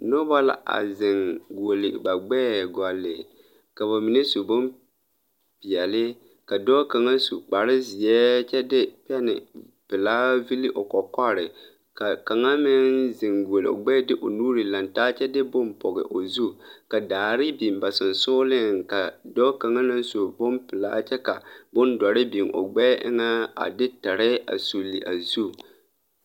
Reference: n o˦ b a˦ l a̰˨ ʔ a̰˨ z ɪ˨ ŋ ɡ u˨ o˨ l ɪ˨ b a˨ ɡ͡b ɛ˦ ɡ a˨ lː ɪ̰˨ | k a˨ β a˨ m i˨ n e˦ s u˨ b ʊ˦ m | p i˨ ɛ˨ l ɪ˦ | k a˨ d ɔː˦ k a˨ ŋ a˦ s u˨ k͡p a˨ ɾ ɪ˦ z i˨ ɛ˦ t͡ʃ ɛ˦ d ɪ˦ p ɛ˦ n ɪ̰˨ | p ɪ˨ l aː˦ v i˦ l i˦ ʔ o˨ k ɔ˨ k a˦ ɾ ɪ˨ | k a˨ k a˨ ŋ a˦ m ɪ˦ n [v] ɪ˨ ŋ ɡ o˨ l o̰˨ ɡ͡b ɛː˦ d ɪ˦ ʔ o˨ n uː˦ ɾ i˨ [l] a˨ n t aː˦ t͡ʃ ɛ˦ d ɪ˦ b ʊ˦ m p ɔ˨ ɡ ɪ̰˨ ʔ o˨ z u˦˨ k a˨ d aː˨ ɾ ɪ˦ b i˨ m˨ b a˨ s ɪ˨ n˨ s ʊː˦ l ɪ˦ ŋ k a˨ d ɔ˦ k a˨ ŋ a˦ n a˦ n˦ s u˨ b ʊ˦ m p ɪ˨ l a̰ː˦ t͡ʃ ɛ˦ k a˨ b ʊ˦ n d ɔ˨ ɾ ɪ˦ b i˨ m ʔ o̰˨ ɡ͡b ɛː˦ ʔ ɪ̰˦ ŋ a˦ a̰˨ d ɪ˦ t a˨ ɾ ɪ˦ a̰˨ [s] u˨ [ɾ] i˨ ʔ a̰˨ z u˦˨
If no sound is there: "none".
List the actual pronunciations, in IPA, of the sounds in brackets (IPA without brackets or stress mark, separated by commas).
z, l, s, l